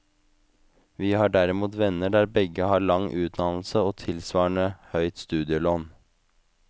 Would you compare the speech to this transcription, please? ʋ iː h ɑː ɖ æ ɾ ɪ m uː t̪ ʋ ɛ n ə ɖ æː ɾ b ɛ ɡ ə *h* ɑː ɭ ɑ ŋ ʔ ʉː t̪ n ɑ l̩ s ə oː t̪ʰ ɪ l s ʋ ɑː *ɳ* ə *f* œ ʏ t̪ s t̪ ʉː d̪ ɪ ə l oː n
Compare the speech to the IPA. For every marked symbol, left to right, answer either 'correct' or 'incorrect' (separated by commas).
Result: correct, correct, incorrect